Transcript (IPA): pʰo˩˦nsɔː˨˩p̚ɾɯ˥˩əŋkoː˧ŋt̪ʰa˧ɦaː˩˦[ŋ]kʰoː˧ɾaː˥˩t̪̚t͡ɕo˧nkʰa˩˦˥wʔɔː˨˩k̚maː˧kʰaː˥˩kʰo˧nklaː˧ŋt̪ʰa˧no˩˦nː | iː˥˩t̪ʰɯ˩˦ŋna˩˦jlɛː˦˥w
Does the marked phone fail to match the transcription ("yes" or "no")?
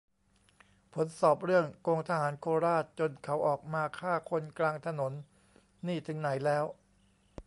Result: yes